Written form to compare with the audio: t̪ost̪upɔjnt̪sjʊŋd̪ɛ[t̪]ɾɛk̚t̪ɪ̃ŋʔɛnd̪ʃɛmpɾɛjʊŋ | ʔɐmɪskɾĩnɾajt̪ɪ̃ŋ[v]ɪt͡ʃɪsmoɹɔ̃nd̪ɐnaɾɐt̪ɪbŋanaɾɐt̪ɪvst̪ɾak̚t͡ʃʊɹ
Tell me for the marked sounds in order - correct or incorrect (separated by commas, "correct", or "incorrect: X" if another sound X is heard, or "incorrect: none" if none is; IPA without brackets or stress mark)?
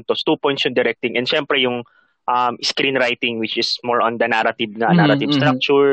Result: incorrect: none, incorrect: w